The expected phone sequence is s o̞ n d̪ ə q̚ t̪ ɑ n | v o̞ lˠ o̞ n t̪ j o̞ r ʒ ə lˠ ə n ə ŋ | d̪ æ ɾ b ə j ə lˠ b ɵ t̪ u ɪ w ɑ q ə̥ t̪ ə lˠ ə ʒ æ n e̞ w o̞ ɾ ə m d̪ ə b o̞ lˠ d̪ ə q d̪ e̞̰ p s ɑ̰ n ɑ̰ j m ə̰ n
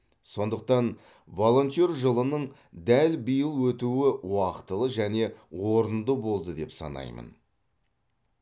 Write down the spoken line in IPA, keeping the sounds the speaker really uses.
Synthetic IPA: s o̞ n d̪ ə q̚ t̪ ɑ n | v o̞ lˠ o̞ n t̪ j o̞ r ʒ ə lˠ ə n ə ɴ | d̪ æ l b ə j ə lˠ w ɵ t̪ u ɪ w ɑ q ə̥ t̪ ə lˠ ə ʒ æ n e̞ w o̞ ɾ ə n d̪ ə b o̞ lˠ d̪ ə d̪ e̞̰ p s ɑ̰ n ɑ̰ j m ə̰ n